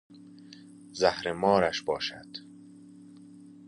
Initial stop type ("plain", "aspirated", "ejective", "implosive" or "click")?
plain